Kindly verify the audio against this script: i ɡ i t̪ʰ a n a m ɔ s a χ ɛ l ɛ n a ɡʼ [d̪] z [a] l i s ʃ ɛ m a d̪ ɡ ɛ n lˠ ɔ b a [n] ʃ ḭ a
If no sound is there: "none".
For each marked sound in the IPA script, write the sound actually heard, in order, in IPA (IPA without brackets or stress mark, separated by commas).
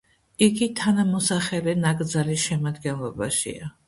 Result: d̪, a, none